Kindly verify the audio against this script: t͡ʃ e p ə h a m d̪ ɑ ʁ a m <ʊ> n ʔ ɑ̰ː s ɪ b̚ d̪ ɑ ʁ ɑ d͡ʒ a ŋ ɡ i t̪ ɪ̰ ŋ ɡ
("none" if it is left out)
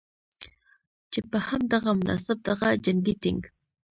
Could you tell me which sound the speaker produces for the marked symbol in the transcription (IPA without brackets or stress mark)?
ʊ